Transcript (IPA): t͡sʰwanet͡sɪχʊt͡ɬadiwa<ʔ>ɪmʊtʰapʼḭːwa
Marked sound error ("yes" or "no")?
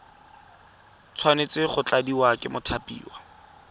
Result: yes